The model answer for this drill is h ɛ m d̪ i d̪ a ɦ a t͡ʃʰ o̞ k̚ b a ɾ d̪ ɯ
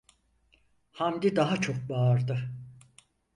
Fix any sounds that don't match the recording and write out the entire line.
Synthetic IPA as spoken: h a m d̪ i d̪ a ɦ a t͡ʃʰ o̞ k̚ b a ɾ d̪ ɯ